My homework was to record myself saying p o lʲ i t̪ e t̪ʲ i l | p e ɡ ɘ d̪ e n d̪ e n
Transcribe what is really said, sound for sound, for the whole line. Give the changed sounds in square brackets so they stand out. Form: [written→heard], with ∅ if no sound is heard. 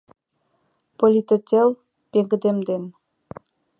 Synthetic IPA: p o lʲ i t̪ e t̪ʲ [i→e] l | p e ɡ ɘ d̪ e [n→m] d̪ e n